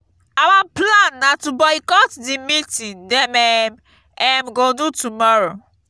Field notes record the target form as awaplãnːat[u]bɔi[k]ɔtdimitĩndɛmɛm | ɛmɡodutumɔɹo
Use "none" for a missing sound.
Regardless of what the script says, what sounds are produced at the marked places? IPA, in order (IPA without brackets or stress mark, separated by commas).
u, k